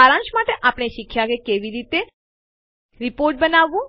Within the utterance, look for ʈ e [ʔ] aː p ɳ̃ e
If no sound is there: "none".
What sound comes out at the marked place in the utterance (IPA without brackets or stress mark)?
ʔ